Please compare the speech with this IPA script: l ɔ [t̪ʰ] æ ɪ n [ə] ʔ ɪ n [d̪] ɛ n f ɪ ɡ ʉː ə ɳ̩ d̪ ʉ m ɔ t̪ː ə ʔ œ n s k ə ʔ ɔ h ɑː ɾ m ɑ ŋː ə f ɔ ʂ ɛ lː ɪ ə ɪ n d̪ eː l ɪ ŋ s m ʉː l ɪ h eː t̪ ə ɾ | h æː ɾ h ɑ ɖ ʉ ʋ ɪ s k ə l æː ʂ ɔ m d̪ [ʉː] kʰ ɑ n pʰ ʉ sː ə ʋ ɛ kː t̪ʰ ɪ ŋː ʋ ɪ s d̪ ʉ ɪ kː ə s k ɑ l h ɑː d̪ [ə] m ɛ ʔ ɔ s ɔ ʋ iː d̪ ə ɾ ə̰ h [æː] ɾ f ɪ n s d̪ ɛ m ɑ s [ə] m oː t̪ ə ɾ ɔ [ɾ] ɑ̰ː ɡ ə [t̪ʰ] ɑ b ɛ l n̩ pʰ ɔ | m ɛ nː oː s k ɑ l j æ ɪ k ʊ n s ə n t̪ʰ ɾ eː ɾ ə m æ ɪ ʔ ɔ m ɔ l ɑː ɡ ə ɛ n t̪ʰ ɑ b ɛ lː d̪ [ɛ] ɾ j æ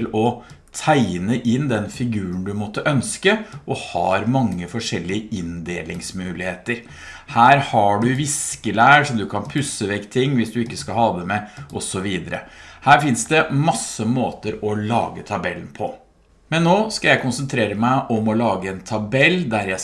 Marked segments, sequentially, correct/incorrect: correct, correct, correct, incorrect: ʉ, correct, correct, correct, incorrect: l, correct, incorrect: æ

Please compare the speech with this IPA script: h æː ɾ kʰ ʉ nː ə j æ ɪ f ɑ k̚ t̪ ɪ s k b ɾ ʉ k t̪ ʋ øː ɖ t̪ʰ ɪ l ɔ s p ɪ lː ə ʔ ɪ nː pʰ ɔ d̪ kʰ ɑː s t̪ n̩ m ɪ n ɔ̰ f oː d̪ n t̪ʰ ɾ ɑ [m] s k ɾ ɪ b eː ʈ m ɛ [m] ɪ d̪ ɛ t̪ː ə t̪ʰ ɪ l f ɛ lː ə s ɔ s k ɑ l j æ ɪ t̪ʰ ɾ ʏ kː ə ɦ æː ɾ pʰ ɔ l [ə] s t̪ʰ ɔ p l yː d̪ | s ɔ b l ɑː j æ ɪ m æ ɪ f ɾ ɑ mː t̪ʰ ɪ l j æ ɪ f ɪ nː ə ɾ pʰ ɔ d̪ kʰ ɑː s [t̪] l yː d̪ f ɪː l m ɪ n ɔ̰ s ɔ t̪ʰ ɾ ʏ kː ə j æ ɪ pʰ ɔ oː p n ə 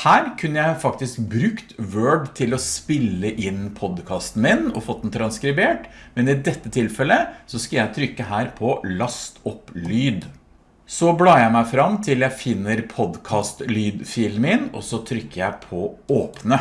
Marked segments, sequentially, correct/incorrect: incorrect: n, incorrect: n, incorrect: ɑ, correct

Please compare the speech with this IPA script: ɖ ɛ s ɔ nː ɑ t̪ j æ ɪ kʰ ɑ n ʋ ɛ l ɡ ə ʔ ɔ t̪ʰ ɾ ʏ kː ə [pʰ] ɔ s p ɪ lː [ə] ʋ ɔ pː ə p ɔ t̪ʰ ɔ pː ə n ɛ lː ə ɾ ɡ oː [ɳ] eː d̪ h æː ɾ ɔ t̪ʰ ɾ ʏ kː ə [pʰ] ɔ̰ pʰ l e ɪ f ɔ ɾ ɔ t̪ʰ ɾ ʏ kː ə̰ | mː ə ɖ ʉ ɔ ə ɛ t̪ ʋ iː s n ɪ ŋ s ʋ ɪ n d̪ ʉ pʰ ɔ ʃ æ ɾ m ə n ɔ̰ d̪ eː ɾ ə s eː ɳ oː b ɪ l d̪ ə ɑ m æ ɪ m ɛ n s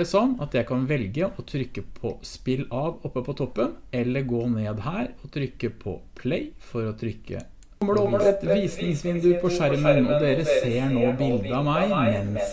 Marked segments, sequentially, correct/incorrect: correct, incorrect: ɑ, incorrect: n, correct

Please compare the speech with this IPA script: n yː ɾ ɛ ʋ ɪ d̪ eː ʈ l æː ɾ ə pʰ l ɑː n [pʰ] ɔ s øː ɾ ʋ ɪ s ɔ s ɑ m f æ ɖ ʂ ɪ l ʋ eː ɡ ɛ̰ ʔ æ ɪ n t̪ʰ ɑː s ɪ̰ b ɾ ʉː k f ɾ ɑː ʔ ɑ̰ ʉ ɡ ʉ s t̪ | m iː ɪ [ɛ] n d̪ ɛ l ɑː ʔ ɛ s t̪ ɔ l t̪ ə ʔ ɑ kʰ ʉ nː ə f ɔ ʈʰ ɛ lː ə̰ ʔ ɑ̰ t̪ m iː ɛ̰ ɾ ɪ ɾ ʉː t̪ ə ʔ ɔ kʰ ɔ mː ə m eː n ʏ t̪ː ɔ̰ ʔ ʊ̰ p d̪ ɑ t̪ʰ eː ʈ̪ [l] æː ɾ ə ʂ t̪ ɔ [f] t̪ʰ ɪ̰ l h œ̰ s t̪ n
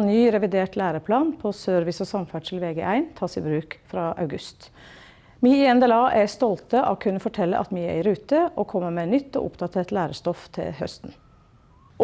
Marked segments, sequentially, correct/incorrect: correct, correct, correct, correct

